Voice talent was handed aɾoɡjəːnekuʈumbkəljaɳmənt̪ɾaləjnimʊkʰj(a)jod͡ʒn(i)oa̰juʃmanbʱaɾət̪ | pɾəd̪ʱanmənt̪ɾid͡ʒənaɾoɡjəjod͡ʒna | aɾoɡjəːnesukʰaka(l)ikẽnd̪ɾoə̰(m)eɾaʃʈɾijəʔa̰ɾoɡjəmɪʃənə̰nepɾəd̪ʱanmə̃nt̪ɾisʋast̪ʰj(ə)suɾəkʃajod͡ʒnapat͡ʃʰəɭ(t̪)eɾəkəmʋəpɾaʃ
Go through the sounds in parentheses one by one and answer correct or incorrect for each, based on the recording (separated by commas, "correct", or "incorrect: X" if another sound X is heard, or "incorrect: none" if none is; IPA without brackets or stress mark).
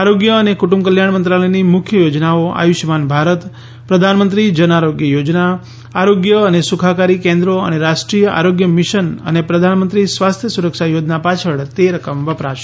incorrect: ə, incorrect: a, incorrect: ɾ, incorrect: n, correct, correct